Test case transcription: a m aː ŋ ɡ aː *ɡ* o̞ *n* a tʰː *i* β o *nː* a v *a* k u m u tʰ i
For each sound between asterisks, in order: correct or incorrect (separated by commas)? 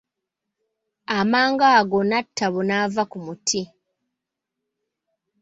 correct, correct, incorrect, incorrect, correct